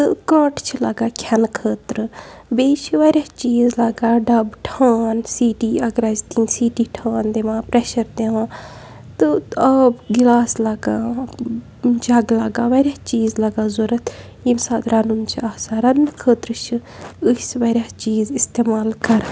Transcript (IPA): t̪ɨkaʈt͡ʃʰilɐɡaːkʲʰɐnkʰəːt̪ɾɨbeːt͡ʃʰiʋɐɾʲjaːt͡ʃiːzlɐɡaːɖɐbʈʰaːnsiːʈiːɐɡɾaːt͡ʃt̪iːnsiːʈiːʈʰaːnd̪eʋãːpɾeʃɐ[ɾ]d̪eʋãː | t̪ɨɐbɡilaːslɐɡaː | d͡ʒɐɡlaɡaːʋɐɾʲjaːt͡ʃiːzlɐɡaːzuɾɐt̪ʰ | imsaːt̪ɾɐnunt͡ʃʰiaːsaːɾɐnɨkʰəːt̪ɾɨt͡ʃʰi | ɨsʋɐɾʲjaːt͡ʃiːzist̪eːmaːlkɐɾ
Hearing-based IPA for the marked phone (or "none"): ɾ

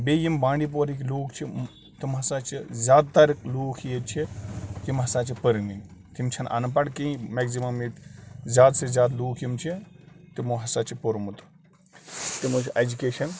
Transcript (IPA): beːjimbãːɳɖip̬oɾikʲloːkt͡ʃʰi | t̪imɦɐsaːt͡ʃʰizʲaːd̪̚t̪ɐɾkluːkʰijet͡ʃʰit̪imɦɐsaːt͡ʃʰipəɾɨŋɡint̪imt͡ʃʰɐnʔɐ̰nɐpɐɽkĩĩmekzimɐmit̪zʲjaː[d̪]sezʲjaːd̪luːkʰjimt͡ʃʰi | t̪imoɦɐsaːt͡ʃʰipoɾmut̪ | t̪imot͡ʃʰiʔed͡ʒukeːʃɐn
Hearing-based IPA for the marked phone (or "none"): d̪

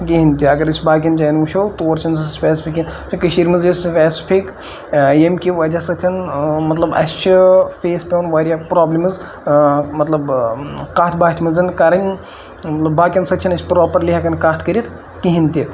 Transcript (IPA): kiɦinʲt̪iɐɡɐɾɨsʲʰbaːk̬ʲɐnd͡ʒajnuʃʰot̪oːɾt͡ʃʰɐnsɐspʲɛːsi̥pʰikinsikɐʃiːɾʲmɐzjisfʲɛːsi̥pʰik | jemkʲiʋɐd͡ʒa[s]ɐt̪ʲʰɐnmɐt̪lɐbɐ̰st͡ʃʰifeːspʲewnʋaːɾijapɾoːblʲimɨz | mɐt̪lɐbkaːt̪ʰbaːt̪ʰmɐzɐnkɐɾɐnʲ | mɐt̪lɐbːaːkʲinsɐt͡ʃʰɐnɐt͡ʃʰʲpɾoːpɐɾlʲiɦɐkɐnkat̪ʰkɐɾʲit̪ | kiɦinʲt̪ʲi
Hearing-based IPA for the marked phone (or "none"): s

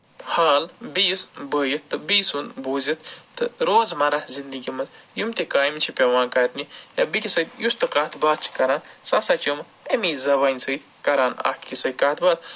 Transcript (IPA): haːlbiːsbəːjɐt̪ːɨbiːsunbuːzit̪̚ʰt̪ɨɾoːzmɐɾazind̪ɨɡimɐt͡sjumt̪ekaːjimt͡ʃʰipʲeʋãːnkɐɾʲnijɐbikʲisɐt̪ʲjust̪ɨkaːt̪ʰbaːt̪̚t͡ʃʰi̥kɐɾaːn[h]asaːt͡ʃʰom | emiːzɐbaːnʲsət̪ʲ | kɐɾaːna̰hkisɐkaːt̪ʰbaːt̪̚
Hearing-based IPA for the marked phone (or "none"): s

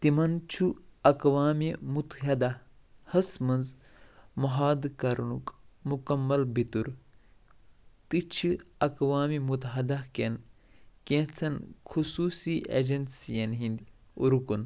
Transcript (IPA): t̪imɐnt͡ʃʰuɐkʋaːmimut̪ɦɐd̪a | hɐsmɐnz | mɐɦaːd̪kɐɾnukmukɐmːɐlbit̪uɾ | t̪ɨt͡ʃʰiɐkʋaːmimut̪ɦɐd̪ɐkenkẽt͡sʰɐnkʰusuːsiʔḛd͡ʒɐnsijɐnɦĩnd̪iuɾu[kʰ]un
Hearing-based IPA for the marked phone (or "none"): k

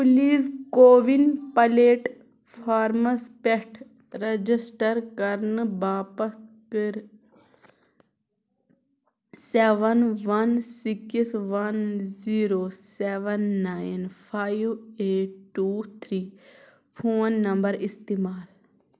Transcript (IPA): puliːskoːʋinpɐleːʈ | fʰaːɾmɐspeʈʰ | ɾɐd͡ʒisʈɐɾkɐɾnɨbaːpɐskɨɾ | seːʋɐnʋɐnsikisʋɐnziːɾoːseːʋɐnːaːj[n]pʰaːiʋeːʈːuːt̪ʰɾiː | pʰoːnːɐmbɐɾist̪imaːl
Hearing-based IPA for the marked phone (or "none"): n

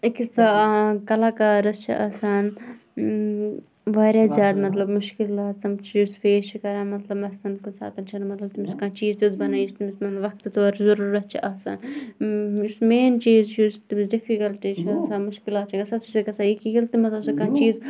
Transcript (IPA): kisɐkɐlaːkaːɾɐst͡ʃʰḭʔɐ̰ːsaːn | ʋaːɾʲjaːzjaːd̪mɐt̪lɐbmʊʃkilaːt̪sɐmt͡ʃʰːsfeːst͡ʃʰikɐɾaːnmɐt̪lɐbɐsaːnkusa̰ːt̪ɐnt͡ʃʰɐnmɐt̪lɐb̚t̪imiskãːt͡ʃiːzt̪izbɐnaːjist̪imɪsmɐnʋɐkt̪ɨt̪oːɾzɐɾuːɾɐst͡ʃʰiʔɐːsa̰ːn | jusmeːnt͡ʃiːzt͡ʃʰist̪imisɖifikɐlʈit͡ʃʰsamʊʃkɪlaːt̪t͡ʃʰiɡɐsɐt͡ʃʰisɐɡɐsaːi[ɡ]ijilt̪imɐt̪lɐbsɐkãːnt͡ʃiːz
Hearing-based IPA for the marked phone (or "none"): k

